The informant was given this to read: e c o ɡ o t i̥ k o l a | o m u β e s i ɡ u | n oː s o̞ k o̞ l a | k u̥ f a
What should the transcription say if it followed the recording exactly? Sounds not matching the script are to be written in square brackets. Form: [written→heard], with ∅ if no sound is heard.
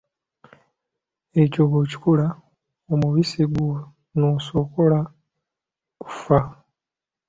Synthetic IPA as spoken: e c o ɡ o [t→c] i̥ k [o→u] l a | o m u β [e→i] s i ɡ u | n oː s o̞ k o̞ l a | k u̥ f a